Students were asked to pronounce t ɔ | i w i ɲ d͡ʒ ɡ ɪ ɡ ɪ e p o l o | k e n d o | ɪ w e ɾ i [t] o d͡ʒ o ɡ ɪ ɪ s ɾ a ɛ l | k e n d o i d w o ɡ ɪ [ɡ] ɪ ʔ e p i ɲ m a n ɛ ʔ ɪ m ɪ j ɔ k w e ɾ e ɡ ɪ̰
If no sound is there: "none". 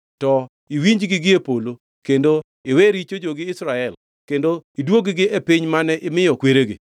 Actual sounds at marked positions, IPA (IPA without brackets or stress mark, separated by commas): t͡ʃ, ɡ